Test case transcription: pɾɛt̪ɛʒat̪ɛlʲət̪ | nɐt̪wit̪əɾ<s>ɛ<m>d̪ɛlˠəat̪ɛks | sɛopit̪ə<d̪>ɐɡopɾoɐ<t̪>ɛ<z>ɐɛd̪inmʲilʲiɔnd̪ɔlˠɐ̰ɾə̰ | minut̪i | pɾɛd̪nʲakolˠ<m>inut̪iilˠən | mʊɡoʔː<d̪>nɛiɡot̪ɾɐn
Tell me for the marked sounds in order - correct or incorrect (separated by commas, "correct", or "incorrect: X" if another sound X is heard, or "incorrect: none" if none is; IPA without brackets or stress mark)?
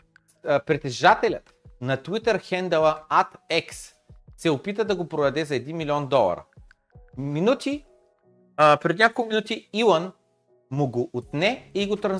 incorrect: x, incorrect: n, correct, incorrect: d̪, correct, correct, incorrect: t̪